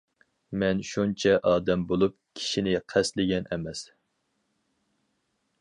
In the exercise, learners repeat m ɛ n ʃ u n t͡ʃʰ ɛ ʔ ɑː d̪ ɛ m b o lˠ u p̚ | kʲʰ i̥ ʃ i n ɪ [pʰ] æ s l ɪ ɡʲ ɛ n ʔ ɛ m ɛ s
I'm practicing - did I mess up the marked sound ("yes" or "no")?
yes